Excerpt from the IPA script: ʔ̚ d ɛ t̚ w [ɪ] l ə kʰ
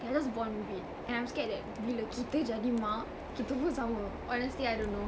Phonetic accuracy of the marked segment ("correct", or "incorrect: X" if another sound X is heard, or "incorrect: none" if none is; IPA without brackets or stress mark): incorrect: i